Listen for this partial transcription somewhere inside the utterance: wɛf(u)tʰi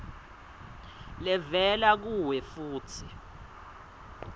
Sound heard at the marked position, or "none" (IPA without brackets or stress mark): uː